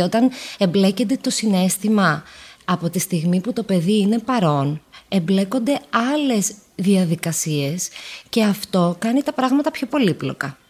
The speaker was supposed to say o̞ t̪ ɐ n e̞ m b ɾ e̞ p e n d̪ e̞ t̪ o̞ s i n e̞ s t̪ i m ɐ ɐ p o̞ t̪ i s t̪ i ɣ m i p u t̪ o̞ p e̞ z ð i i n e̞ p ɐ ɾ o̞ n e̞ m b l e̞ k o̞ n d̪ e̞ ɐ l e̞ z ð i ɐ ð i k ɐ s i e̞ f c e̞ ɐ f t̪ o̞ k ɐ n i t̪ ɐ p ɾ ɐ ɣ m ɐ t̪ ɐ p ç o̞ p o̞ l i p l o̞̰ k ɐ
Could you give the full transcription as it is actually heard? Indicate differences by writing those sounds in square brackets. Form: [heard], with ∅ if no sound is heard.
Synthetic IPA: o̞ t̪ ɐ n e̞ m b [l] e̞ [c] e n d̪ e̞ t̪ o̞ s i n e̞ s t̪ i m ɐ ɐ p o̞ t̪ i s t̪ i ɣ m i p u t̪ o̞ p e̞ [∅] ð i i n e̞ p ɐ ɾ o̞ n e̞ m b l e̞ k o̞ n d̪ e̞ ɐ l e̞ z ð i ɐ ð i k ɐ s i e̞ [s] c e̞ ɐ f t̪ o̞ k ɐ n i t̪ ɐ p ɾ ɐ ɣ m ɐ t̪ ɐ p ç o̞ p o̞ l i p l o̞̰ k ɐ